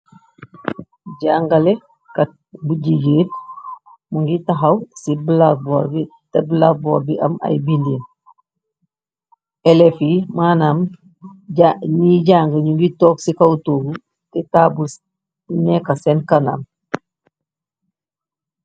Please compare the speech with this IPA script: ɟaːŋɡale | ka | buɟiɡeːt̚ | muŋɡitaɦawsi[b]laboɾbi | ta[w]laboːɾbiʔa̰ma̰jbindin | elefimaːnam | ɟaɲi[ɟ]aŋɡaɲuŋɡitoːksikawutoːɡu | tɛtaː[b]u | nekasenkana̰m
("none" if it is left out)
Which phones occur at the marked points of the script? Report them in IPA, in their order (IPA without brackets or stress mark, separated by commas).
b, b, ɟ, b